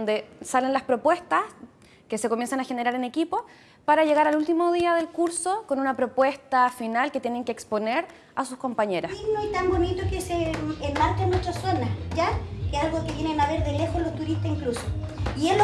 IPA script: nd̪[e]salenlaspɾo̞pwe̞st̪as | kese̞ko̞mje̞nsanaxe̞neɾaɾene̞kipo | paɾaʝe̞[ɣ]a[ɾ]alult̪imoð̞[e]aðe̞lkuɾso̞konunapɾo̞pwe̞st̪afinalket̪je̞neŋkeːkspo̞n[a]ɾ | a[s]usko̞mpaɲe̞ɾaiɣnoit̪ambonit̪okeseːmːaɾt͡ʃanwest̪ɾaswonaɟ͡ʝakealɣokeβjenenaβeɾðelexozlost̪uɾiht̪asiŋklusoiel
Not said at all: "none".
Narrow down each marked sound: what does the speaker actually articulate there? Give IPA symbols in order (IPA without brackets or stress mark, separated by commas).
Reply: e, ɣ, ɾ, i, e, s